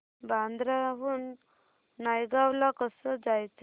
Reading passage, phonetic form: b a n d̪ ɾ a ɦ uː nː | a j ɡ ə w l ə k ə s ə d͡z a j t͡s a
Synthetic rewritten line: b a n d̪ ɾ a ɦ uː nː | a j ɡ a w l a k ə s ə d͡z a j t͡s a

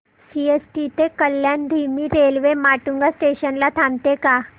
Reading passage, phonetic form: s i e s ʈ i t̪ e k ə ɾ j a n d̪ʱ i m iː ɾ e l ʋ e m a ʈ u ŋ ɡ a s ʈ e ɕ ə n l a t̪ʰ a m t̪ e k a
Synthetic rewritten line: s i e s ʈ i t̪ e k ə l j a n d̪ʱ i m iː ɾ e l ʋ e m a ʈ u ŋ ɡ a s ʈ e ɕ ə n l a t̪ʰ a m t̪ e k a

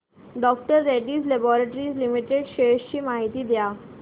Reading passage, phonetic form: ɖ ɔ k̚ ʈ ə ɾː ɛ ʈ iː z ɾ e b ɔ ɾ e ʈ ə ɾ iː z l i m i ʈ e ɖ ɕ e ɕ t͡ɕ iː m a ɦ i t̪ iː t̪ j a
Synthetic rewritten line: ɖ ɔ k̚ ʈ ə ɾː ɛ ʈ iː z l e b ɔ ɾ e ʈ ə ɾ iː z l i m i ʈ e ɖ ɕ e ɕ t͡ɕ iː m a ɦ i t̪ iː d̪ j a

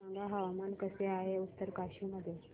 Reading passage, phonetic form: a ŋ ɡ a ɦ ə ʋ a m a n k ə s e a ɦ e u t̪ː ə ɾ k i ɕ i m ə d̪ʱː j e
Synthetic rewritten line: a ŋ ɡ a ɦ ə ʋ a m a n k ə s e a ɦ e u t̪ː ə ɾ k a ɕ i m ə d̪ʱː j e

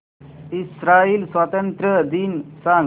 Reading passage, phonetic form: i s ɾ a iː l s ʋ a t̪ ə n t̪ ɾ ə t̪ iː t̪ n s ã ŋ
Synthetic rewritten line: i s ɾ a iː l s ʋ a t̪ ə n t̪ ɾ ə d̪ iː n s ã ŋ

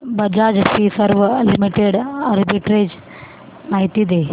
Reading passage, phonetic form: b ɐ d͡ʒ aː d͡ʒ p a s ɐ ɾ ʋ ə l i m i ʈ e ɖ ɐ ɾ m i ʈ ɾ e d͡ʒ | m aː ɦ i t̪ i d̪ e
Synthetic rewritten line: b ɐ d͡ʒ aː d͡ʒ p i s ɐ ɾ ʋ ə l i m i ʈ e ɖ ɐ ɾ b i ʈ ɾ e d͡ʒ | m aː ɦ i t̪ i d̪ e

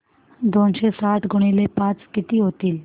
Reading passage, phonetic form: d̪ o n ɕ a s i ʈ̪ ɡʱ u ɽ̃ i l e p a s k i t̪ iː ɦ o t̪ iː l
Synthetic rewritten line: d̪ o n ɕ e s a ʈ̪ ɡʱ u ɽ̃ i l e p a t͡s k i t̪ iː ɦ o t̪ iː l

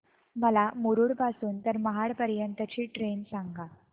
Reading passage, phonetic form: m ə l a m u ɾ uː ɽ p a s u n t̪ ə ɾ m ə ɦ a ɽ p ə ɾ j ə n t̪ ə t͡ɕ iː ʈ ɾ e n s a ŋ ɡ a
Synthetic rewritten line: m ə l a m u ɾ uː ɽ p a s uː n t̪ ə ɾ m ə ɦ a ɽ p ə ɾ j ə n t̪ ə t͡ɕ iː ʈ ɾ e n s a ŋ ɡ a

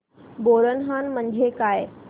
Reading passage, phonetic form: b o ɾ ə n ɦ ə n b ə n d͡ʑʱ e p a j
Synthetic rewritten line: b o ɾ ə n ɦ a n m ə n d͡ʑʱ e k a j

